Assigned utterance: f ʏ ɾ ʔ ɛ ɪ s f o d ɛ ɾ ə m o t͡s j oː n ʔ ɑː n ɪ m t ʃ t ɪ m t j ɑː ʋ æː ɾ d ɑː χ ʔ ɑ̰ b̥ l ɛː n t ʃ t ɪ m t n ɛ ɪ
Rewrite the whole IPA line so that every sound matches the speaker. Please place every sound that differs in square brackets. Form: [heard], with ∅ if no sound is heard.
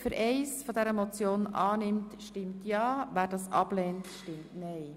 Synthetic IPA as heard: f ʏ ɾ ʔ ɛ ɪ s f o d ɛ ɾ ə m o t͡s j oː n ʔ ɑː n ɪ m t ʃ t ɪ m t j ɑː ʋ æː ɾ d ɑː [s] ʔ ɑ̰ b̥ l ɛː n t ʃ t ɪ m t n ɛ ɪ